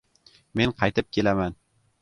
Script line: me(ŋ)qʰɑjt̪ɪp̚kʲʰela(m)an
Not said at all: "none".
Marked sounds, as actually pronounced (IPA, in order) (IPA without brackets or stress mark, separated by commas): n, m